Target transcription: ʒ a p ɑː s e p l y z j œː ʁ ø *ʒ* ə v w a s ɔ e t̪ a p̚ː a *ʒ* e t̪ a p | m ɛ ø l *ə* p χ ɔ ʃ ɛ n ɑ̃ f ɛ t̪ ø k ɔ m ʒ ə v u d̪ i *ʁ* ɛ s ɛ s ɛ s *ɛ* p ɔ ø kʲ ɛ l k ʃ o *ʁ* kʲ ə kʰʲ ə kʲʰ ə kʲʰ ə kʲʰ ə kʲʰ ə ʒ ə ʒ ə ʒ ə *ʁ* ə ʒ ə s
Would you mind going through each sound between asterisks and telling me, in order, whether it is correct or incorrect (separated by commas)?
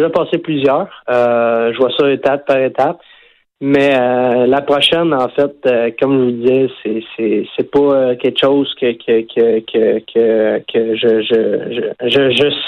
correct, incorrect, incorrect, incorrect, correct, incorrect, incorrect